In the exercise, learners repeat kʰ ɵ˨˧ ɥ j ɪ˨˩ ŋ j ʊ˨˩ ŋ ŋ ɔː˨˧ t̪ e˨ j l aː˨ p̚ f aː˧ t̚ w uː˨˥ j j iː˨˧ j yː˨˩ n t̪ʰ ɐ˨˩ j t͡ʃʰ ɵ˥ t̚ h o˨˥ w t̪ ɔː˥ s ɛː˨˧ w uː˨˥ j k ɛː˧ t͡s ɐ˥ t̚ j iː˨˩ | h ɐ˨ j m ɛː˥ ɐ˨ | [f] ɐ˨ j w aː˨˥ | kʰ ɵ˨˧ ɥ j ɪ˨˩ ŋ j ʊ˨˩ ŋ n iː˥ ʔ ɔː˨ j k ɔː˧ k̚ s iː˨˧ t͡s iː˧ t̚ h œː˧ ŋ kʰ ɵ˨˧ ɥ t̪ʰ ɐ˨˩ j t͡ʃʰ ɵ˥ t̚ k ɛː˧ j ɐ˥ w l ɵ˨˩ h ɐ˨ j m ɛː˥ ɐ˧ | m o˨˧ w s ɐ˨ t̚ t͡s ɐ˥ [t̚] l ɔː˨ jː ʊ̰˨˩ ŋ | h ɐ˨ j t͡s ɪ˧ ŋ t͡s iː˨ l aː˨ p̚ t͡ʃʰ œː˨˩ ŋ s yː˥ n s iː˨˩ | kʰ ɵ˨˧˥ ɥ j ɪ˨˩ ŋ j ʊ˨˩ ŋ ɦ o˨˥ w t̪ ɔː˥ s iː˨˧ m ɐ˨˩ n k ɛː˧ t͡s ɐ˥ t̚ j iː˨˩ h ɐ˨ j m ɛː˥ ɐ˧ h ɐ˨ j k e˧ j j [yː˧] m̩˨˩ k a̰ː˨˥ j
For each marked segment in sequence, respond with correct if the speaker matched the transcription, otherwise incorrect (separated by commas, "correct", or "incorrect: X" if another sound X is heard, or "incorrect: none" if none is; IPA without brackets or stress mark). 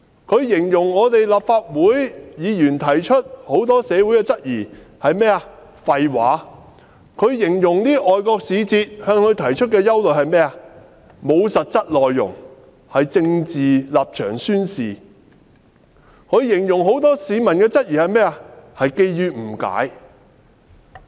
correct, correct, correct